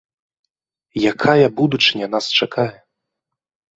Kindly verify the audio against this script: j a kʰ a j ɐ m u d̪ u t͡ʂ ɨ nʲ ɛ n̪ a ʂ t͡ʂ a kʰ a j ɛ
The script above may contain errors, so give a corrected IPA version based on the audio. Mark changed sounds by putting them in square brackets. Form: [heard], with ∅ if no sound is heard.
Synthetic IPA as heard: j a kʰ a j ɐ [b] u d̪ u t͡ʂ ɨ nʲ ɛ n̪ a [s] t͡ʂ a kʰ a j ɛ